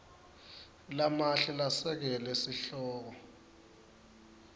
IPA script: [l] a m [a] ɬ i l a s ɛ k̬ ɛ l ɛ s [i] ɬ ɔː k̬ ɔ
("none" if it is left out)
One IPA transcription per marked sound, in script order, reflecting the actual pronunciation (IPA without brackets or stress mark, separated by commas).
l, a, i